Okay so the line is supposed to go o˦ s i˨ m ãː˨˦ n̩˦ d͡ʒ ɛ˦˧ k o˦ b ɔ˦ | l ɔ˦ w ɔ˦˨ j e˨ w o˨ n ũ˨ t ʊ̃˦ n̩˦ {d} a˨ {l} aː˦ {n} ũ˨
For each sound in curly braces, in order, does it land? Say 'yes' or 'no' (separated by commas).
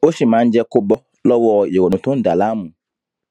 yes, yes, no